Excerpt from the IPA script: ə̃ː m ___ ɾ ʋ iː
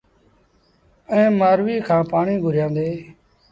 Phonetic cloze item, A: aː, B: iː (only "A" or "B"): A